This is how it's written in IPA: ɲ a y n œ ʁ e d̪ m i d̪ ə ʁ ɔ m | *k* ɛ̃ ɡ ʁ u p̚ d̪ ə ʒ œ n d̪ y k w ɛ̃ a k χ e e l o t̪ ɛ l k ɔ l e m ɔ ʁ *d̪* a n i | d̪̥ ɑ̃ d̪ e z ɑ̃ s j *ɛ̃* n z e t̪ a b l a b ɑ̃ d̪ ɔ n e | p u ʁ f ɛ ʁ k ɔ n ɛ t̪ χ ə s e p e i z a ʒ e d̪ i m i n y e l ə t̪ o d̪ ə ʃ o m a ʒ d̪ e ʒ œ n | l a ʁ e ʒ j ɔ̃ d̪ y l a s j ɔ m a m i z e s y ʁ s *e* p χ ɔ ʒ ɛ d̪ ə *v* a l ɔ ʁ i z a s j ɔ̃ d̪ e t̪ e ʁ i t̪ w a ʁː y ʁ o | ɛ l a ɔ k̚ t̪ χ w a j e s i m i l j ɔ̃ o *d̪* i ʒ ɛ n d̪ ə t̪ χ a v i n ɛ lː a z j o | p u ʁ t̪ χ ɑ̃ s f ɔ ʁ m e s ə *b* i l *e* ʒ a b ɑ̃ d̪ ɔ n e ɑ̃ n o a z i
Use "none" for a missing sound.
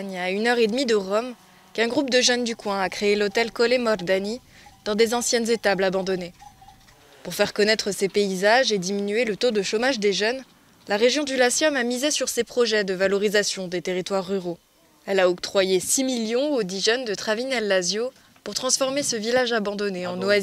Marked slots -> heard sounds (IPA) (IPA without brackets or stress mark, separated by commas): k, d̪, ɛ, e, v, d̪, v, a